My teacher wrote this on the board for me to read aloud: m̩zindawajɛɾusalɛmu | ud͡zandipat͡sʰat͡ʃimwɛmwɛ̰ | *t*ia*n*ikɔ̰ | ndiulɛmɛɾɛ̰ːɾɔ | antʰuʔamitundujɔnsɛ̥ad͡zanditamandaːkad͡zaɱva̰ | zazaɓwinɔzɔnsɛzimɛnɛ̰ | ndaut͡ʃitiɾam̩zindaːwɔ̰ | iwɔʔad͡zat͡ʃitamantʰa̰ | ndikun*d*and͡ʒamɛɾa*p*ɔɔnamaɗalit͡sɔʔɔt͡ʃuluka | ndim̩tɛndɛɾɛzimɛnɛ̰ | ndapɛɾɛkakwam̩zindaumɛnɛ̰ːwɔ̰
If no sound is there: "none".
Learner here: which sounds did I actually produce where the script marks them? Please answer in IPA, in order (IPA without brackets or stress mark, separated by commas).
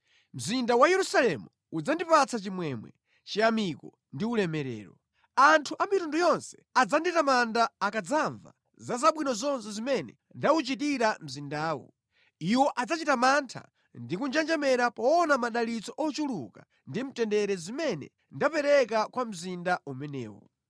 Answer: t͡ʃ, m, d͡ʒ, p